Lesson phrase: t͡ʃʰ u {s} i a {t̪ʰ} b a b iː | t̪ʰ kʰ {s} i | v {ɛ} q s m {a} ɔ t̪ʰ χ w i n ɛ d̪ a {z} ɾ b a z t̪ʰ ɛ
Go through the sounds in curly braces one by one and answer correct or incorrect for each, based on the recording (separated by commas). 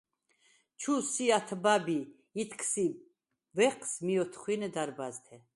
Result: correct, correct, correct, correct, incorrect, incorrect